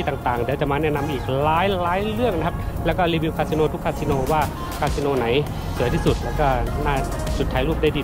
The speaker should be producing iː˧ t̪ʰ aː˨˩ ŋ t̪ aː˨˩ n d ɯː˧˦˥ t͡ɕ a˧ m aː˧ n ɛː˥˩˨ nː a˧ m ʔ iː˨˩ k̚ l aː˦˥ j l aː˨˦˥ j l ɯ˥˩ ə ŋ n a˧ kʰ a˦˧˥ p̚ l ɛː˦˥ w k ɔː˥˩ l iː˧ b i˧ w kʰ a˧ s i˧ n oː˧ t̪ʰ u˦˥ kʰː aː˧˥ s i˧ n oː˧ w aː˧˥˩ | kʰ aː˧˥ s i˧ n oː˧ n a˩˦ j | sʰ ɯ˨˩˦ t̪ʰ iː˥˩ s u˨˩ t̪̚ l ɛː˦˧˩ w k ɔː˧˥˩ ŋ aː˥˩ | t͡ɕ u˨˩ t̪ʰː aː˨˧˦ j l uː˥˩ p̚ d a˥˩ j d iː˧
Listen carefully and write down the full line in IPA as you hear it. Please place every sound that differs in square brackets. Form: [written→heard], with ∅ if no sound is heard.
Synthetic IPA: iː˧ [t̪ʰ→t̪] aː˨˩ ŋ t̪ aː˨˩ [n→ŋ] d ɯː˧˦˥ t͡ɕ [a˧→a˨˩] m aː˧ n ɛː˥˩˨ [nː→n] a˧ m ʔ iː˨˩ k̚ l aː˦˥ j l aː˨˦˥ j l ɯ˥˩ ə ŋ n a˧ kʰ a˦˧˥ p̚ l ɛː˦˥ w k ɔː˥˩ l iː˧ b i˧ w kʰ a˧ s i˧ n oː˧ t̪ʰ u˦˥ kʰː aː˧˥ s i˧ n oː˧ w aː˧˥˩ | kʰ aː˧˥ s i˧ n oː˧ n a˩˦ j | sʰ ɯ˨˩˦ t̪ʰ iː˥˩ s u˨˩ t̪̚ l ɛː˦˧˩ w k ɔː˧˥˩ [ŋ→n] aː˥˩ | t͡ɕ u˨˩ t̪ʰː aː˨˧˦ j l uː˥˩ p̚ d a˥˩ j d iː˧

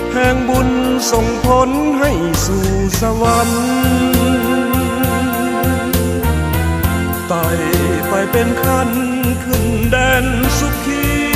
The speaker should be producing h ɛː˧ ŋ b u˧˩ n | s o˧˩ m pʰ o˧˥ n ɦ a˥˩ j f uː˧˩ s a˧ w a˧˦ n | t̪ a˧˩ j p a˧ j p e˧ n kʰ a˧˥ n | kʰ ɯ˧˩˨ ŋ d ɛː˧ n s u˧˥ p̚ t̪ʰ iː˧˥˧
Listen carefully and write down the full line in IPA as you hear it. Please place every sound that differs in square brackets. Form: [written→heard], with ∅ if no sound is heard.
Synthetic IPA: h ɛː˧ ŋ b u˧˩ n | s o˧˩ [m→ŋ] pʰ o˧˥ n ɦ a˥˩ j [f→s] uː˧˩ s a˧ w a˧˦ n | t̪ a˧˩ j p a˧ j p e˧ n kʰ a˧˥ n | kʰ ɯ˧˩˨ ŋ d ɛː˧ n s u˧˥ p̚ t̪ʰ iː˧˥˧

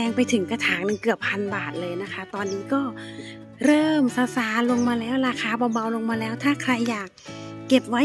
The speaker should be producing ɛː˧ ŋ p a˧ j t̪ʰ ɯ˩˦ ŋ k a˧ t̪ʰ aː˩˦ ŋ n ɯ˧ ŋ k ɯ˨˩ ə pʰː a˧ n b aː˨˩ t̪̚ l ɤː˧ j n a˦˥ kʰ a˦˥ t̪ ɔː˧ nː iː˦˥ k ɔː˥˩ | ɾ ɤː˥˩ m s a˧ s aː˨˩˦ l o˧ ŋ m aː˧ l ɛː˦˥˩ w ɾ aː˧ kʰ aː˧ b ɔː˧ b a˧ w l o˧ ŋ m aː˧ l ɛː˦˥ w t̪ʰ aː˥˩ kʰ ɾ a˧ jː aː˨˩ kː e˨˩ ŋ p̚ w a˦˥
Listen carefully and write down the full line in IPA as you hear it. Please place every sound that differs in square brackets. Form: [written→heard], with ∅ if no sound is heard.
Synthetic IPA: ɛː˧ ŋ p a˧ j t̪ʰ ɯ˩˦ ŋ k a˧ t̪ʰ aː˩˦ ŋ n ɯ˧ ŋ k ɯ˨˩ ə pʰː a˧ n b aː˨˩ t̪̚ l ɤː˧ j n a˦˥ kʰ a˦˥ t̪ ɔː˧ nː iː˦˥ k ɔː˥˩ | ɾ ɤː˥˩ m s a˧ s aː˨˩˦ l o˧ ŋ m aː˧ l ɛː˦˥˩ w ɾ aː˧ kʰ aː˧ b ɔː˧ b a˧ w l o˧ ŋ m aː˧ l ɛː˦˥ w t̪ʰ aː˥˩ kʰ ɾ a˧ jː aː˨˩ kː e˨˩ [ŋ→∅] p̚ w a˦˥

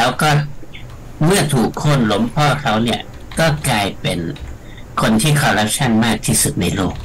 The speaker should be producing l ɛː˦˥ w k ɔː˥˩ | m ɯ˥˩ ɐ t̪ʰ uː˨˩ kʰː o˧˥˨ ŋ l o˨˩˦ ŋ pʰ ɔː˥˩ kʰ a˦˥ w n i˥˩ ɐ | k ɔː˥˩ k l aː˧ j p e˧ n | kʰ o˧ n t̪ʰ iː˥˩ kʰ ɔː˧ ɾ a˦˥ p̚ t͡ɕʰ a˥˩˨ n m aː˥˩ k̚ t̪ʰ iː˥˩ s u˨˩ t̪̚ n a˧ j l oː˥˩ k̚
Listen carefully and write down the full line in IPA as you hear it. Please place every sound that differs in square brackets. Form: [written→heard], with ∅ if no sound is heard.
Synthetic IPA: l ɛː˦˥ w k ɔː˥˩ | m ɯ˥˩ ɐ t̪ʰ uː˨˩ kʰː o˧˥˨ [ŋ→n] l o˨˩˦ [ŋ→m] pʰ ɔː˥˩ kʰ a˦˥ w n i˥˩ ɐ | k ɔː˥˩ k l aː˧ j p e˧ n | kʰ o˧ n t̪ʰ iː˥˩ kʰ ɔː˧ ɾ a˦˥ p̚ t͡ɕʰ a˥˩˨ n m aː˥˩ k̚ t̪ʰ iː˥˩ s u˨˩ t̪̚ n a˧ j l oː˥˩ k̚

